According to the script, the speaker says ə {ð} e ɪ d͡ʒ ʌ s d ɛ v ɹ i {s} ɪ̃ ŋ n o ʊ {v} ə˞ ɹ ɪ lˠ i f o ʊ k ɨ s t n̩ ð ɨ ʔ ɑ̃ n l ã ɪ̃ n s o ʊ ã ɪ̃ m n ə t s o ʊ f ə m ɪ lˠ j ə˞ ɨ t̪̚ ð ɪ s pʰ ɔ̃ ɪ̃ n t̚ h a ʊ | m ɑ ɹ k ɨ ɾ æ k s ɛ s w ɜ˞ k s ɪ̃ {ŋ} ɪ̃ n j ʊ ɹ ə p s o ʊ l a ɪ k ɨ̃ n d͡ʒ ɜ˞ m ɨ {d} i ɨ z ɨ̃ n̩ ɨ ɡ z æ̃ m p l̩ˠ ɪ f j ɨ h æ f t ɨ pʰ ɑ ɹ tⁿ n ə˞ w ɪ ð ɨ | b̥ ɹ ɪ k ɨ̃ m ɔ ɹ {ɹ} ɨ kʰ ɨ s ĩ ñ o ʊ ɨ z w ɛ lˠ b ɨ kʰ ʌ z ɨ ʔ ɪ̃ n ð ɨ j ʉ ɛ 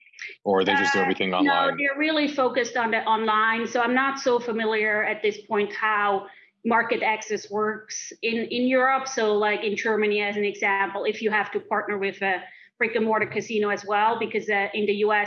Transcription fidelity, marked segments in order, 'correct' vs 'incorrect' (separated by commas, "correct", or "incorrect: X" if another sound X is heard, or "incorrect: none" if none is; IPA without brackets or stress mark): correct, incorrect: θ, incorrect: ð, incorrect: n, incorrect: n, incorrect: ɾ